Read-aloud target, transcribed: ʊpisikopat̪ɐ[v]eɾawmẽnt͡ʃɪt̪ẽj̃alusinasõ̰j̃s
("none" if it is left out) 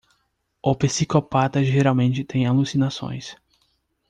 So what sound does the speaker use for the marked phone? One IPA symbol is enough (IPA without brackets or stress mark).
ʒ